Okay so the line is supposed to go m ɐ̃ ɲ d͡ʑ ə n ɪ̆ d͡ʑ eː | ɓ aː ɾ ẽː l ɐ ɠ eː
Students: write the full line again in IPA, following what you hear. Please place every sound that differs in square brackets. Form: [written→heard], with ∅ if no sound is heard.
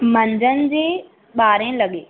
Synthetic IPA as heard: m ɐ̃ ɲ d͡ʑ ə n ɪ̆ d͡ʑ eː | ɓ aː ɾ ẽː l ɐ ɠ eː

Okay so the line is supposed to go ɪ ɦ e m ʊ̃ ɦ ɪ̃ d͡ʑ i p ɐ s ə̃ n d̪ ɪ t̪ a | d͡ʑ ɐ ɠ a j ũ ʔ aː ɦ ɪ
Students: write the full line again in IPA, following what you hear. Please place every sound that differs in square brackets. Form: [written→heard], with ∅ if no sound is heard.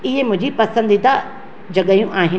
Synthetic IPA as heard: ɪ ɦ e m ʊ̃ ɦ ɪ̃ d͡ʑ i p ɐ s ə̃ n d̪ [ɪ→i] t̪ a | d͡ʑ ɐ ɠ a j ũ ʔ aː ɦ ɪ

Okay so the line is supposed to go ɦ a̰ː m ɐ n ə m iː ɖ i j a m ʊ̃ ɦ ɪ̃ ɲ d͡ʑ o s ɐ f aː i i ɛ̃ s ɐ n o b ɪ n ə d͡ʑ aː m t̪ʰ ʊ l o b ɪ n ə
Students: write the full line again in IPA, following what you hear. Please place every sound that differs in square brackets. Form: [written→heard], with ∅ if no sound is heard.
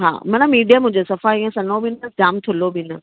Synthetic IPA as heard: ɦ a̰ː m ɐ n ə m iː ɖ i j a m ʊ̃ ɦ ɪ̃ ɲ d͡ʑ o s ɐ f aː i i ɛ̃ s ɐ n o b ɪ n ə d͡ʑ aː m t̪ʰ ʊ l o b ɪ n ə

